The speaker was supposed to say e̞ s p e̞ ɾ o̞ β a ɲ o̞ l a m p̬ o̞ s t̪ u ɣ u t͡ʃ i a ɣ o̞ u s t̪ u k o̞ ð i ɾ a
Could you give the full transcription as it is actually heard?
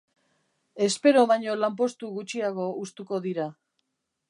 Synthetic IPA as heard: e̞ s p e̞ ɾ o̞ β a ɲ o̞ l a m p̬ o̞ s t̪ u ɣ u t͡ʃ i a ɣ o̞ u s t̪ u k o̞ ð i ɾ a